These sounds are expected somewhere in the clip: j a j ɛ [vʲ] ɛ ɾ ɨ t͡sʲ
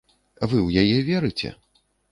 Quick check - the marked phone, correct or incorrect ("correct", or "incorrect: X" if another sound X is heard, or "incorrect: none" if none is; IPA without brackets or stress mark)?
correct